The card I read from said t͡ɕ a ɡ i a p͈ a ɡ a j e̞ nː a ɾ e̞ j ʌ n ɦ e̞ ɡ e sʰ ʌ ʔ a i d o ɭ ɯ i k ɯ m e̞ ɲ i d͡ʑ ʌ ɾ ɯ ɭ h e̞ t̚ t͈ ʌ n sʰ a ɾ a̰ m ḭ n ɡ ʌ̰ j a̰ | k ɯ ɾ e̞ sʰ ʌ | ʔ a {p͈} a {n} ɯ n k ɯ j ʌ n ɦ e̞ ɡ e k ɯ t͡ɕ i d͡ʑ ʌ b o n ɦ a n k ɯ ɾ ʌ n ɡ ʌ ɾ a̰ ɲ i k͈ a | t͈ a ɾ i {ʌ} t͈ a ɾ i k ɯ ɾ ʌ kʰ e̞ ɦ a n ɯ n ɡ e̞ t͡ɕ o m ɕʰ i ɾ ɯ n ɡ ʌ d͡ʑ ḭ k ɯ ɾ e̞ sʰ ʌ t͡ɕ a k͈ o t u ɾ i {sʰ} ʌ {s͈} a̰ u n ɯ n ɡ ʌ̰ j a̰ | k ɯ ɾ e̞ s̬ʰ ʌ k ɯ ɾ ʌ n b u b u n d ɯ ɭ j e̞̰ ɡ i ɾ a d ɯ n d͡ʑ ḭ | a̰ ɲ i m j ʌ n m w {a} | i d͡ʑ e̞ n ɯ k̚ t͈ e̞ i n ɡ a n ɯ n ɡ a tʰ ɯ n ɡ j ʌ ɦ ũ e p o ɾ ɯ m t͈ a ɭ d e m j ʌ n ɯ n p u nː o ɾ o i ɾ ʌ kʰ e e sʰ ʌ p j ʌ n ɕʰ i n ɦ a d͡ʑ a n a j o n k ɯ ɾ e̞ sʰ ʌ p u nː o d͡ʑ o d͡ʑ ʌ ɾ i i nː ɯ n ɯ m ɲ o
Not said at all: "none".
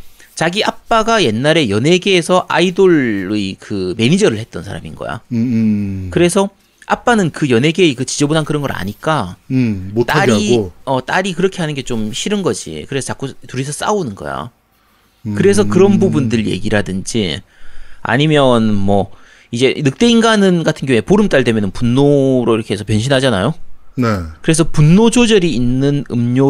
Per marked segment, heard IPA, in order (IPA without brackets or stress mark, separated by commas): p͈, n, ʌ, sʰ, s͈, ʌ